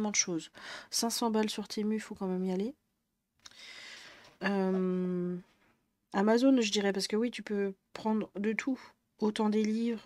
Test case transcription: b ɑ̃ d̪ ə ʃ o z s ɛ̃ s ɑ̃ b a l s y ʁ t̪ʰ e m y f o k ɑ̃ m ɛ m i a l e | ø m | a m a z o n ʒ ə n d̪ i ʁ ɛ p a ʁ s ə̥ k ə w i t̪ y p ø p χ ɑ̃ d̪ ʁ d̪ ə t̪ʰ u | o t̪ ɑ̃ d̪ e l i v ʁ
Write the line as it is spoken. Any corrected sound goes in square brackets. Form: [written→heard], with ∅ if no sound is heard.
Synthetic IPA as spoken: [b→m] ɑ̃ d̪ ə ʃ o z s ɛ̃ s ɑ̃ b a l s y ʁ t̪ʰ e m y f o k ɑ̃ m ɛ m i a l e | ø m | a m a z o n ʒ ə [n→∅] d̪ i ʁ ɛ p a ʁ s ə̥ k ə w i t̪ y p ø p χ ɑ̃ d̪ ʁ d̪ ə t̪ʰ u | o t̪ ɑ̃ d̪ e l i v ʁ